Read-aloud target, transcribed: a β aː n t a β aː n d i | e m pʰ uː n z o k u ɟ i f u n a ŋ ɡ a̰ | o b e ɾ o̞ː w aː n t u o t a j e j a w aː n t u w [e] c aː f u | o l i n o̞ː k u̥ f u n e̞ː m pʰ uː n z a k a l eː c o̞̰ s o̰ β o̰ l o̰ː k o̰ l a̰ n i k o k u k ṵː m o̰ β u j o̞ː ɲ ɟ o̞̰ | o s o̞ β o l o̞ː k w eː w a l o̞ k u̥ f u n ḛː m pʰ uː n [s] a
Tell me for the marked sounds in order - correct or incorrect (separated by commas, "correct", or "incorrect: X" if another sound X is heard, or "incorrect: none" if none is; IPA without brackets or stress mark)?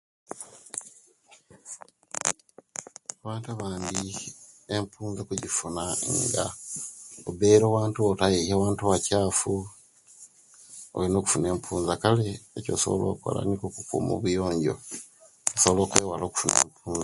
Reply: incorrect: a, incorrect: z